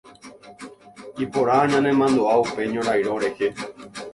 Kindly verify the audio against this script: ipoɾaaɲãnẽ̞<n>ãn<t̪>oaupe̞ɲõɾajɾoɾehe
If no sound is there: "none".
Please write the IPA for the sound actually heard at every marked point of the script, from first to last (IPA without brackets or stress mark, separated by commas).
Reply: m, d̪